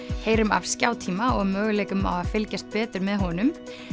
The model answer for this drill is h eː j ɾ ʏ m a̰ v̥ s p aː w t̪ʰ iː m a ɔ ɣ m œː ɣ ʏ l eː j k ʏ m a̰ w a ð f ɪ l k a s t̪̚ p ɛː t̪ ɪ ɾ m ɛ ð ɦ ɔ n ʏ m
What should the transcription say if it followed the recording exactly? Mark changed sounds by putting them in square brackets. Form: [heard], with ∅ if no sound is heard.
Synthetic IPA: h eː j ɾ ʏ m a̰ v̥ s [c] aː w t̪ʰ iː m a ɔ ɣ m œː ɣ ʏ l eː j k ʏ m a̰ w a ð f ɪ l [c] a s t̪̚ p ɛː t̪ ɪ ɾ m ɛ ð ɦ ɔ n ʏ m